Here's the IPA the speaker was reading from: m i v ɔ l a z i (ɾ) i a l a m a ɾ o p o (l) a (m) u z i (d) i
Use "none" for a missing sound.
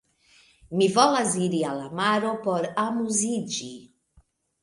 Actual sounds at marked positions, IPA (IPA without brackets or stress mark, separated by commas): ɾ, ɾ, m, d͡ʒ